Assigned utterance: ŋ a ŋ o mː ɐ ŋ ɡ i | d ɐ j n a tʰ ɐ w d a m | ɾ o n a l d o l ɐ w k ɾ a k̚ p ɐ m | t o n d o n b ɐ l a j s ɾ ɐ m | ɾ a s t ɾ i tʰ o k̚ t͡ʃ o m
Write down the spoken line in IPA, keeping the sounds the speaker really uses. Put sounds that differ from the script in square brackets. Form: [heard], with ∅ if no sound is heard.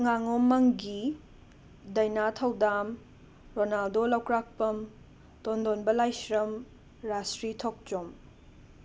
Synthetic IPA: ŋ a ŋ o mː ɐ ŋ ɡ i | d ɐ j n a tʰ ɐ w d a m | ɾ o n a l d o l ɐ w k ɾ a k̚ p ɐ m | t o n d o n b ɐ l a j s ɾ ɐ m | ɾ a s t ɾ i tʰ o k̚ t͡ʃ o m

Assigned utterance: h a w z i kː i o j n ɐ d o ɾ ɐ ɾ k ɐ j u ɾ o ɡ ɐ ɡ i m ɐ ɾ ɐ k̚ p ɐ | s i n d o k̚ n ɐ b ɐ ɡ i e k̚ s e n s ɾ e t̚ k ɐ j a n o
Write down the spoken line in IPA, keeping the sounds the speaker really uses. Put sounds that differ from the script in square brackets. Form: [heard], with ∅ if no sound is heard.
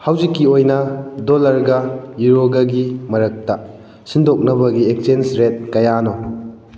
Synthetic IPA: h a w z i kː i o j n ɐ d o [l] ɐ ɾ [ɡ] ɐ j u ɾ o ɡ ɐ ɡ i m ɐ ɾ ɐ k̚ [t] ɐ | s i n d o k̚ n ɐ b ɐ ɡ i e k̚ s e n s ɾ e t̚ k ɐ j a n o

